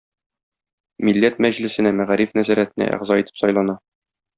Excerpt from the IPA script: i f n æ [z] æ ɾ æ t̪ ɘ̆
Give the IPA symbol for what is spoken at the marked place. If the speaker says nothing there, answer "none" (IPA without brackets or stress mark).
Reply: z